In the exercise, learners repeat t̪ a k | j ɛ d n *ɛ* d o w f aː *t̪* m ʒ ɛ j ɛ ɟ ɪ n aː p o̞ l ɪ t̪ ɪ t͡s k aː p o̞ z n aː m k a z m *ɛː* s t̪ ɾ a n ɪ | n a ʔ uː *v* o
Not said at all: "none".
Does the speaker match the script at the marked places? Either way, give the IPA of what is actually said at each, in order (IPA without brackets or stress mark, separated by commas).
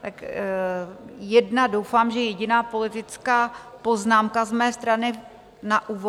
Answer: a, none, ɛː, v